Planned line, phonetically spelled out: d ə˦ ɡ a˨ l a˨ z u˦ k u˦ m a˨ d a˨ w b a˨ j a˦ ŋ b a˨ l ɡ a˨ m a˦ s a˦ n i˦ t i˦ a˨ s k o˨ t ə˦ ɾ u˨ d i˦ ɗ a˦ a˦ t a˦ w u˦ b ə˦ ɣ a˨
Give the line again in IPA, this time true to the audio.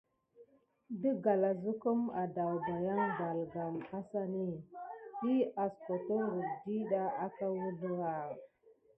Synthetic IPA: d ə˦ ɡ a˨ l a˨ z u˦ k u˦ m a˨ d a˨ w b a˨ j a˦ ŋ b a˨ l ɡ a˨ m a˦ s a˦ n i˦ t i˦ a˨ s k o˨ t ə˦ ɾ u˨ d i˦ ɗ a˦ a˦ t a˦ w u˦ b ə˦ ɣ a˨